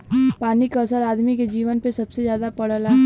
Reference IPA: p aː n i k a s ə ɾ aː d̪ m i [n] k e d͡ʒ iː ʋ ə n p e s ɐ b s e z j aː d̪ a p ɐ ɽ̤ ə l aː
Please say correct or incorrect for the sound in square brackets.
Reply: incorrect